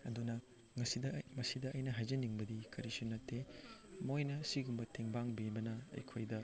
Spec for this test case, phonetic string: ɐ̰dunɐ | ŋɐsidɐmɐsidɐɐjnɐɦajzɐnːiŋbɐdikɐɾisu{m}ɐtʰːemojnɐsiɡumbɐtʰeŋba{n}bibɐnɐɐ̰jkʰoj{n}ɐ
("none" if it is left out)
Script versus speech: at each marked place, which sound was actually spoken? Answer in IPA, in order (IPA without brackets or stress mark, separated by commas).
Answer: n, ŋ, d